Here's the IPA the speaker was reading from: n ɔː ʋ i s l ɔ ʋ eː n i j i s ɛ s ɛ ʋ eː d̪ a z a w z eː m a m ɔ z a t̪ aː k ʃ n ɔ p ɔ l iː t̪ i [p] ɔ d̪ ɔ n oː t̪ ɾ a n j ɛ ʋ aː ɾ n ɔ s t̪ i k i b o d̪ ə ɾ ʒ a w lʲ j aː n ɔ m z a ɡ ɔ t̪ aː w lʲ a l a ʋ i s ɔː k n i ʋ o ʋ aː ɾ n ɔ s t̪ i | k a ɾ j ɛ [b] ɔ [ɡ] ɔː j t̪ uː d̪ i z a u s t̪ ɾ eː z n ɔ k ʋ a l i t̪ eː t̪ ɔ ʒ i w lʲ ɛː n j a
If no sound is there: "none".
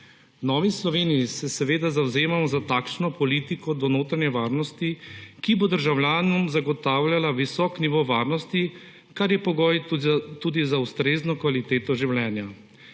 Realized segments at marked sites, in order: k, p, ɡ

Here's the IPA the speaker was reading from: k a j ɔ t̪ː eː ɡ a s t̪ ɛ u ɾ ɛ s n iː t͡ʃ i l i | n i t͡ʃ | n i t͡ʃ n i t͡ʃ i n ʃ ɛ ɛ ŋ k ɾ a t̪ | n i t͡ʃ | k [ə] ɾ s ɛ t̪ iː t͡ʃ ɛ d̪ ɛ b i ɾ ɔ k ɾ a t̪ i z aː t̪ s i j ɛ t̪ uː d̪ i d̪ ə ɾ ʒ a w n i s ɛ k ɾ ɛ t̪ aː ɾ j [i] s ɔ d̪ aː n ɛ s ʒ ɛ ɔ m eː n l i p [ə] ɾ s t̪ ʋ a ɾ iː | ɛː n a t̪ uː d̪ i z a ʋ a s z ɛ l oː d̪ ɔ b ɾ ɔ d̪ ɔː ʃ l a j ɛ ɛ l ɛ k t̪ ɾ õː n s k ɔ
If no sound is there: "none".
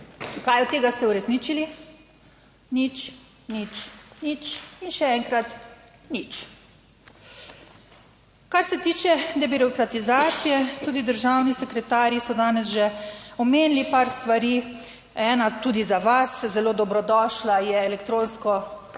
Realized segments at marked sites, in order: a, i, a

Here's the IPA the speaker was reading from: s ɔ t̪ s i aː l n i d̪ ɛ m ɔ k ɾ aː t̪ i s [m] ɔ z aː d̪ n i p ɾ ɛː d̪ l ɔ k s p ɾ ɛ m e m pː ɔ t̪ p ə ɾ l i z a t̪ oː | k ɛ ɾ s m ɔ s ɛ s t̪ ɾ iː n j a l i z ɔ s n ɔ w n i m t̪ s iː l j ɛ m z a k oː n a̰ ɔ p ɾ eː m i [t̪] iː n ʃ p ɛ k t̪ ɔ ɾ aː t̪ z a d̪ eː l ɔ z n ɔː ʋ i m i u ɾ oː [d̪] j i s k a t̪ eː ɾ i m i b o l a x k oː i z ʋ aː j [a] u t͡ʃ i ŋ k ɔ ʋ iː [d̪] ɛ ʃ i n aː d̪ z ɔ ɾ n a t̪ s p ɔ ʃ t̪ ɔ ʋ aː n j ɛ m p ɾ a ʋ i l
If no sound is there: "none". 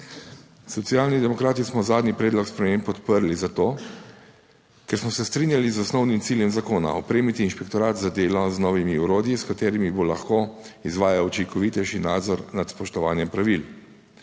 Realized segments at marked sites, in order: m, t̪, d̪, a, t̪

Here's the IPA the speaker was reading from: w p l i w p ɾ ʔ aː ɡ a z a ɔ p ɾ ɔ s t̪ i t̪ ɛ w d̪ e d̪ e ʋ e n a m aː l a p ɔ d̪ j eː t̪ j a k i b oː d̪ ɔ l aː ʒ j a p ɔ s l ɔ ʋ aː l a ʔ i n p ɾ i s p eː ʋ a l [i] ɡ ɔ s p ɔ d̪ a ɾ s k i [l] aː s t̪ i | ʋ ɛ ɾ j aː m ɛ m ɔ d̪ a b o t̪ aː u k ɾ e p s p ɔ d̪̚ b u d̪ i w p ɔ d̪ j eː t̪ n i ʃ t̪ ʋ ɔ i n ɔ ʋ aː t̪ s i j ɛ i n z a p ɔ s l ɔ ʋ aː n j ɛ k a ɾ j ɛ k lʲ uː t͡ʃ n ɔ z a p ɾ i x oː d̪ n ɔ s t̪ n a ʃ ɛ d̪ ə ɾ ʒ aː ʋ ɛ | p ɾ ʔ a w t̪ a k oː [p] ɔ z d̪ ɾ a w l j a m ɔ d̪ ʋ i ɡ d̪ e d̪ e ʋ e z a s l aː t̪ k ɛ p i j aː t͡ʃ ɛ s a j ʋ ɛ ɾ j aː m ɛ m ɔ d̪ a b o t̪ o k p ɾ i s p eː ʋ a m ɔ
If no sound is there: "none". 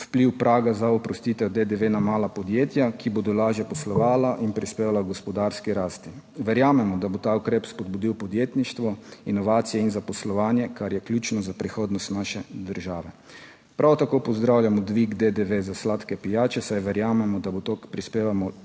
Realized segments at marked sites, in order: a, ɾ, p

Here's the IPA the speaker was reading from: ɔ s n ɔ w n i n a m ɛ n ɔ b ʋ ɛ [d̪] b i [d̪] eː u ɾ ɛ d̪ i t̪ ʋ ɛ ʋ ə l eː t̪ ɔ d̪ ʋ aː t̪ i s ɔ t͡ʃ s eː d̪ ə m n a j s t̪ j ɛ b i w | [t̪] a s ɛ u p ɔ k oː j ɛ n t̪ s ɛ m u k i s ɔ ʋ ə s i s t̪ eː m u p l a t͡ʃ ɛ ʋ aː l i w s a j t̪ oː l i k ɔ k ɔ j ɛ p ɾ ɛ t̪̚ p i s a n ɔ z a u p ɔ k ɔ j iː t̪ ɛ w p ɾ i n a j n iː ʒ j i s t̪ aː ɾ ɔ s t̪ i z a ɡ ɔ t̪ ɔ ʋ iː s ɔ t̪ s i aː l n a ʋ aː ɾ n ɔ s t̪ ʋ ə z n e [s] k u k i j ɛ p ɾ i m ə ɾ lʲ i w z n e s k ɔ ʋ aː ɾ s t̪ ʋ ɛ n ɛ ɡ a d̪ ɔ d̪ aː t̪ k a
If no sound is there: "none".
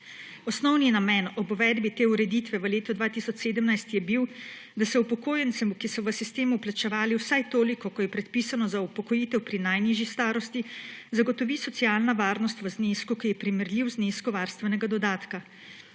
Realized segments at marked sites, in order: d̪, t̪, d̪, s

